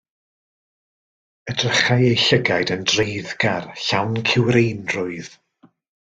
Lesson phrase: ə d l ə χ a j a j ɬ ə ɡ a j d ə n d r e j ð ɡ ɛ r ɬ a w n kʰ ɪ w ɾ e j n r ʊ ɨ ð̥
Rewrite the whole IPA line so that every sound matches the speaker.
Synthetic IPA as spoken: ə d r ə χ a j e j ɬ ə ɡ a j d ə n d r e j ð ɡ a r ɬ a w n kʰ ɪ w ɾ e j n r ʊ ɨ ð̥